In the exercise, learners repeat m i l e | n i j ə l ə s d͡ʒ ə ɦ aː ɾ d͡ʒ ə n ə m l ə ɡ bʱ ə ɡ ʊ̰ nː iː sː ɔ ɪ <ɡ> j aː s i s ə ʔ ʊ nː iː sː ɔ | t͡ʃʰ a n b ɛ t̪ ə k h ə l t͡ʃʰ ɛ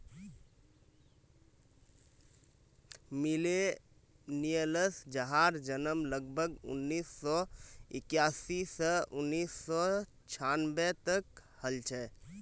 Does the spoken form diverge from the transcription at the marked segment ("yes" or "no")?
yes